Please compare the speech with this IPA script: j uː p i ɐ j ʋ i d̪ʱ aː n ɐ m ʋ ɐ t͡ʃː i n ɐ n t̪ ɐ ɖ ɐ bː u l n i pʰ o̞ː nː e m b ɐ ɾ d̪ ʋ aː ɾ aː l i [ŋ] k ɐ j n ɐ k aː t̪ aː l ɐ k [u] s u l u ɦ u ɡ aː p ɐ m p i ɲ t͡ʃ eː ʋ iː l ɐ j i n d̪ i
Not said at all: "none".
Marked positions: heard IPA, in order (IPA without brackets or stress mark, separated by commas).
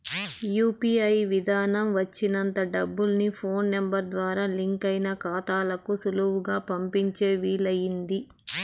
ŋ, u